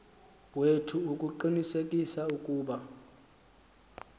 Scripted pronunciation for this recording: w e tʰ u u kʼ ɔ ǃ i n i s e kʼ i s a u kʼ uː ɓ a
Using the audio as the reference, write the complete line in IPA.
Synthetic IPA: w e tʰ u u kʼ u ǃ i n i s e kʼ i s a u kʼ uː ɓ a

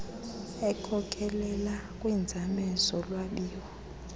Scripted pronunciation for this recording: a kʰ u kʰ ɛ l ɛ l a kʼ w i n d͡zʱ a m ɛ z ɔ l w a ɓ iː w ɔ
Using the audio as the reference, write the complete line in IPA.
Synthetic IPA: ɛ kʰ ɔ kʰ ɛ l ɛ l a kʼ w i n d͡zʱ a m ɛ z ɔ l w a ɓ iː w ɔ

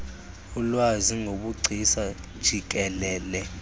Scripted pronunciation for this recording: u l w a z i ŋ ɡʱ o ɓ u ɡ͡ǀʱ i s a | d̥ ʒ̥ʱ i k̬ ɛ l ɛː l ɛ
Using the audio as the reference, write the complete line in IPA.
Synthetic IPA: u l w a z i ŋ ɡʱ o ɓ u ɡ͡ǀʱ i s a | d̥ ʒ̥ʱ i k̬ ɛ l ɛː l ɛ

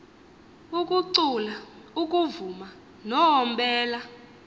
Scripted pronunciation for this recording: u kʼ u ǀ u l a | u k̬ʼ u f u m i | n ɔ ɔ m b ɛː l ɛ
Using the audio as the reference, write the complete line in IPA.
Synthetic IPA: u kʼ u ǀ u l a | u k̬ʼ u v u m a | n ɔ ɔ m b ɛː l a

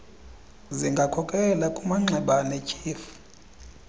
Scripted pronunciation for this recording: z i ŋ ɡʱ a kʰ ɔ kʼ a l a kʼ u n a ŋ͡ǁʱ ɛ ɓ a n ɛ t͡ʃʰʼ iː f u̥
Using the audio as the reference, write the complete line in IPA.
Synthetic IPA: z i ŋ ɡʱ a kʰ ɔ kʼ ɛ l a kʼ u m a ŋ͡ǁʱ ɛ ɓ a n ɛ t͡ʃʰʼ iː f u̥

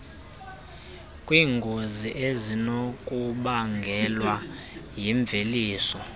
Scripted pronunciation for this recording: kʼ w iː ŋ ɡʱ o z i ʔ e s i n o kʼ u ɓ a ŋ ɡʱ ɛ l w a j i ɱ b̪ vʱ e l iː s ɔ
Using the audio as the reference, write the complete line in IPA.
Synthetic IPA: kʼ w iː ŋ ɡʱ o z i ʔ e z i n o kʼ u ɓ a ŋ ɡʱ ɛ l w a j i ɱ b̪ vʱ e l iː s ɔ

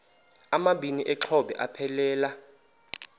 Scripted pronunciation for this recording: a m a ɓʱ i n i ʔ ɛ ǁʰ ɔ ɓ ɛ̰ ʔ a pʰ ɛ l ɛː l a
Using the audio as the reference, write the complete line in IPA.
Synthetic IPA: a m a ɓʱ i n i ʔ ɛ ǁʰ ɔ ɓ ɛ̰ ʔ a pʰ ɛ l ɛː l a

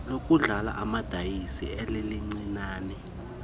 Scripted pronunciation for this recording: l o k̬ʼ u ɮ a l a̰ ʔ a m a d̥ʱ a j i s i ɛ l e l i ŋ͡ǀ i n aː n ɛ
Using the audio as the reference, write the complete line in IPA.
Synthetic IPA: l o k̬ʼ u ɮ a l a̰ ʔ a m a d̥ʱ a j i s i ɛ l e l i ŋ͡ǀ i n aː n ɛ

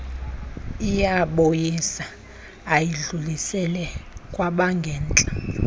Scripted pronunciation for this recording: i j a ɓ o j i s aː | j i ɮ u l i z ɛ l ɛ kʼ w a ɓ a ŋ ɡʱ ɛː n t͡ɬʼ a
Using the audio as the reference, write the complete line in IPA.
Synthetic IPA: i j a ɓ o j i s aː | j i ɮ u l i s ɛ l ɛ kʼ w a ɓ a ŋ ɡʱ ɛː n t͡ɬʼ a

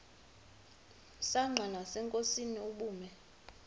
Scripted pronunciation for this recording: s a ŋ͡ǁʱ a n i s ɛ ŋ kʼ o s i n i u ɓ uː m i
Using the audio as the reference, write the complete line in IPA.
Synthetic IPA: s a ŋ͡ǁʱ a n a s ɛ ŋ kʼ o s i n i u ɓ uː m ɛ

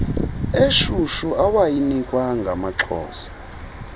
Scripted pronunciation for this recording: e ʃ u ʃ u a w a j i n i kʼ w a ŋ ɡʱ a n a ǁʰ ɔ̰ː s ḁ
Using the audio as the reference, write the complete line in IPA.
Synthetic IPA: e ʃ u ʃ u a w a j i n i kʼ w a ŋ ɡʱ a m a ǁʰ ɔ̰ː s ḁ

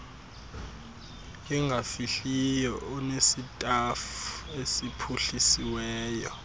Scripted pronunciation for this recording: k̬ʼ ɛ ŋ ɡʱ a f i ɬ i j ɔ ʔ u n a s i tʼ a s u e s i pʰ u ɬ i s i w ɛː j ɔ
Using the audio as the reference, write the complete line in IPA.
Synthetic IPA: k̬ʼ ɛ ŋ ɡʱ a f i ɬ i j ɔ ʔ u n e s i tʼ a f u e s i pʰ u ɬ i s i w ɛː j ɔ

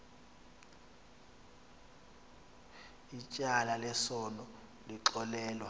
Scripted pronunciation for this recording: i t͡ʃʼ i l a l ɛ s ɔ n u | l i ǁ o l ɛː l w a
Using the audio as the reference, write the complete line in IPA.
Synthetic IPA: i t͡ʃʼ a l a l ɛ s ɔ n ɔ | l i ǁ ɔ l ɛː l w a

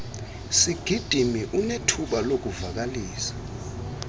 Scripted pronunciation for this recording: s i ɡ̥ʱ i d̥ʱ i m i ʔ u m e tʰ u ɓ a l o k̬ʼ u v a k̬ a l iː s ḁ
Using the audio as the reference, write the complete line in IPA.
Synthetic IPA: s i ɡ̥ʱ i d̥ʱ i m i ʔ u n e tʰ u ɓ a l o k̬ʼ u v a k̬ a l iː s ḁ

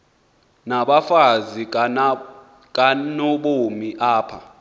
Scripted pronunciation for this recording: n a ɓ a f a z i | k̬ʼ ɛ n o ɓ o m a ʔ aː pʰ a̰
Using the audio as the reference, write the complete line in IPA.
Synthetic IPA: n a ɓ a f a z i | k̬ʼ a n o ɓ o m i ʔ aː pʰ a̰

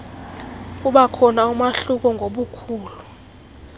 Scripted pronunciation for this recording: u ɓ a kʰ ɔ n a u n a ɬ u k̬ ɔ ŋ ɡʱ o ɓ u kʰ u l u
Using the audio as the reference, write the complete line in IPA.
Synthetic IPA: u ɓ a kʰ ɔ n a u m a ɬ u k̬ ɔ ŋ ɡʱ o ɓ u kʰ uː l u

